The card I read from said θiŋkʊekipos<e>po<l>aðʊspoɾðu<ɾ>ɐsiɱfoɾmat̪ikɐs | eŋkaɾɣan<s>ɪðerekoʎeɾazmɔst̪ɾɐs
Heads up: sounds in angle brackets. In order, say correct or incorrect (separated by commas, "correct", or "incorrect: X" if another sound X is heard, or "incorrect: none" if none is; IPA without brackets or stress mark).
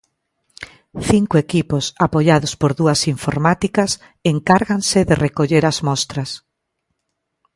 incorrect: a, incorrect: ʎ, incorrect: none, correct